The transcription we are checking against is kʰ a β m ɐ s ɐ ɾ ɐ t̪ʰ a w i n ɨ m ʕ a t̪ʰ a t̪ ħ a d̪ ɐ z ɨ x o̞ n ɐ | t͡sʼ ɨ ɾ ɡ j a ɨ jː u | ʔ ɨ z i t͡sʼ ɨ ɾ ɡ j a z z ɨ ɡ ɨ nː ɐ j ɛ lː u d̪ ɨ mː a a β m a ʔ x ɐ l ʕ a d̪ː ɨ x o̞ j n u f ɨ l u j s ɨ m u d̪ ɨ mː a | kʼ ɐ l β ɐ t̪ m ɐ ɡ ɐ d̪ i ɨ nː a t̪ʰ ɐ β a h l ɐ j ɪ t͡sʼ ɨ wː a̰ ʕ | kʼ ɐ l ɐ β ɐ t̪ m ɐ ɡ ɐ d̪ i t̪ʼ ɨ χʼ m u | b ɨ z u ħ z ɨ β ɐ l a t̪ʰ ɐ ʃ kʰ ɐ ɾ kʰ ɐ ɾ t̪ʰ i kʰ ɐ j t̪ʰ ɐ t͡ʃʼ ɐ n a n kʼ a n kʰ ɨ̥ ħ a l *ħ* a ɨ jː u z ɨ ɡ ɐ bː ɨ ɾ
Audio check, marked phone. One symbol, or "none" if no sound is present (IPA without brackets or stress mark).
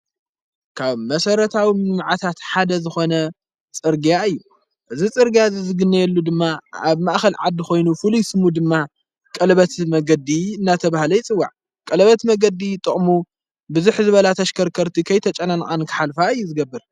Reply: f